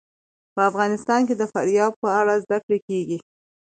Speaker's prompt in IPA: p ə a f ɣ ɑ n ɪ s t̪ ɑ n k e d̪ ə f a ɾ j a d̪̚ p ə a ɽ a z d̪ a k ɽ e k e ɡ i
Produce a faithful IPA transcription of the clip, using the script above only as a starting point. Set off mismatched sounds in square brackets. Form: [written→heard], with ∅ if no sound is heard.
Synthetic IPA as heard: p ə a f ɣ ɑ n ɪ s t̪ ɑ n k e d̪ ə f a ɾ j [a→ɑ] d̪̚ p ə a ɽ a z d̪ a k ɽ e k e ɡ i

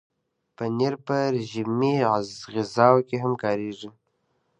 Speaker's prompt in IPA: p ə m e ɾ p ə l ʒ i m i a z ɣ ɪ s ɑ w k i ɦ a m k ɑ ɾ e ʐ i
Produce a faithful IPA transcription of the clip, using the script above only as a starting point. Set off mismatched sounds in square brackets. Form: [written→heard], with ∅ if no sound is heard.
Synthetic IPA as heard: p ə [m→n] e ɾ p ə [l→ɾ] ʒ i m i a z ɣ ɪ [s→z] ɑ w k [i→e] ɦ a m k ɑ ɾ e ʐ i

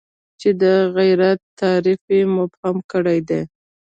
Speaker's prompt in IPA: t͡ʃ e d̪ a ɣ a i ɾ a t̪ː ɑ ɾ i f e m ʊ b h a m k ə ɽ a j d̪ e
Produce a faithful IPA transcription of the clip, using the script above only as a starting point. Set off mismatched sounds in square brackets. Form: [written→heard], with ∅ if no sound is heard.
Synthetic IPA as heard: t͡ʃ e d̪ [a→ə] ɣ a [i→j] ɾ a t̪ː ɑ ɾ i f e m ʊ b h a m k ə ɽ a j d̪ e

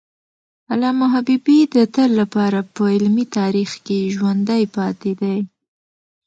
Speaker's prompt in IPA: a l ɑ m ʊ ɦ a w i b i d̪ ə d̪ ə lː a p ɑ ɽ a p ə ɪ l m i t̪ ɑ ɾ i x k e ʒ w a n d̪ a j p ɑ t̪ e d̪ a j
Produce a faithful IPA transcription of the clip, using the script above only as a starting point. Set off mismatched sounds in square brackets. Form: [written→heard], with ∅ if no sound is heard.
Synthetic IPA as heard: a l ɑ m ʊ ɦ a [w→b] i b i d̪ ə [d̪→t̪] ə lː a p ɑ [ɽ→ɾ] a p ə ɪ l m i t̪ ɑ ɾ i x k e ʒ w a n d̪ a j p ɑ t̪ e d̪ a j

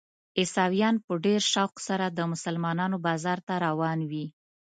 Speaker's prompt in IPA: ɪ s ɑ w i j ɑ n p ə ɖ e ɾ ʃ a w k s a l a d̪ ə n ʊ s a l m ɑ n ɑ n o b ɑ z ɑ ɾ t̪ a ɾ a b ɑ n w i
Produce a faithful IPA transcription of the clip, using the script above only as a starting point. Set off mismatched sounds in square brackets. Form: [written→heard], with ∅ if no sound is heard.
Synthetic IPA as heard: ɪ s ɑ w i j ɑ n p ə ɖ e ɾ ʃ a w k s a [l→ɾ] a d̪ ə [n→m] ʊ s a l m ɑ n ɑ n o b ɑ z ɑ ɾ t̪ a ɾ a [b→w] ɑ n w i

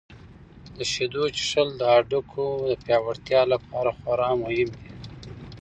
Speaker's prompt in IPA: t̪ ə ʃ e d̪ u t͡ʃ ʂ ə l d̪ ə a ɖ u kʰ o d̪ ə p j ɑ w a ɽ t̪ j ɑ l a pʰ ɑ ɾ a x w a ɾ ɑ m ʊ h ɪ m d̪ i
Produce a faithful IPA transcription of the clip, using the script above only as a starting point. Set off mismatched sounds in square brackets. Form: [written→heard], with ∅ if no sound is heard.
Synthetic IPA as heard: [t̪→d̪] ə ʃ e d̪ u t͡ʃ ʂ ə l d̪ ə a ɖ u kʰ o d̪ ə p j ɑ w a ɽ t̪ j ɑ l a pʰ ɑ ɾ a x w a ɾ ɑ m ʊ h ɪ m d̪ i

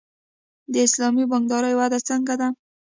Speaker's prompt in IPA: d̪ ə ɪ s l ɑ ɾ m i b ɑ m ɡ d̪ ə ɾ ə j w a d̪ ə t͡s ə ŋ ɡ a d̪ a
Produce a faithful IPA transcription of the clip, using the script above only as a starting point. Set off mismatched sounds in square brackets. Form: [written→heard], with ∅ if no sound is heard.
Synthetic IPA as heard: d̪ ə ɪ s l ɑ [ɾ→∅] m i b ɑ [m→ŋ] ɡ d̪ [ə→ɑ] ɾ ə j w a d̪ [ə→a] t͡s ə ŋ ɡ a d̪ a

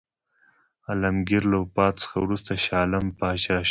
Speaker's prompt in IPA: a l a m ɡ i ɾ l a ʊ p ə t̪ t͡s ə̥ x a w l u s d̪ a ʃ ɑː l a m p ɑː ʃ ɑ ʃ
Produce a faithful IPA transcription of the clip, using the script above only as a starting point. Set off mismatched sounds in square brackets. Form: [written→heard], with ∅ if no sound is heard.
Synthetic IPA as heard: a l a m ɡ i ɾ l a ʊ p [ə→ɑ] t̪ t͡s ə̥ x a w [l→ɾ] u s [d̪→t̪] a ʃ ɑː l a m p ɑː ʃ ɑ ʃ

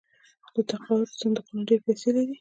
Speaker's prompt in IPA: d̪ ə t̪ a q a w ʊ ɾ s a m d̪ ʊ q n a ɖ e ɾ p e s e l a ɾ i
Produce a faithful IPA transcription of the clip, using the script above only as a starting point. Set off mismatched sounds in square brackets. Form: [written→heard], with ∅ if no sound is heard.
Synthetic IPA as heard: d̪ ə t̪ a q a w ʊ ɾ s a [m→n] d̪ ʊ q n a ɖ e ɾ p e s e l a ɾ i

